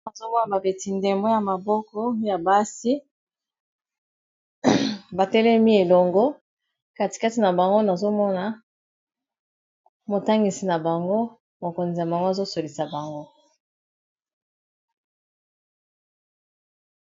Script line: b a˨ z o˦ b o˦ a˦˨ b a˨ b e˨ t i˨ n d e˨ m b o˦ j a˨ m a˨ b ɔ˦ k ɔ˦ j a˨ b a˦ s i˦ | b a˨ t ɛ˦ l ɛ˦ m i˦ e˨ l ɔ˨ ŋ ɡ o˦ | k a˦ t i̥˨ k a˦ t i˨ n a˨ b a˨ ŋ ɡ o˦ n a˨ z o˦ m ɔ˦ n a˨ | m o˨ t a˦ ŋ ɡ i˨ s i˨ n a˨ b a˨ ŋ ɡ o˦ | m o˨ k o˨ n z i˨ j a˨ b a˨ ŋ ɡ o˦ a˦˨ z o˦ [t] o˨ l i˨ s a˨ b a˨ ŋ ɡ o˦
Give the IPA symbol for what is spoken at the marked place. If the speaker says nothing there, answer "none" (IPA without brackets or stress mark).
s